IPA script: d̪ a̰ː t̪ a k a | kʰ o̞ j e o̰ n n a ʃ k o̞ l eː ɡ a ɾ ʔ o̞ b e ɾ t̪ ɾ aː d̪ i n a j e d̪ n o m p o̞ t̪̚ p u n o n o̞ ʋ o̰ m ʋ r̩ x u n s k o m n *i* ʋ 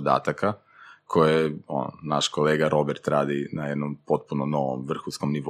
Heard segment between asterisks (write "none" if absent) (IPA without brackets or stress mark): i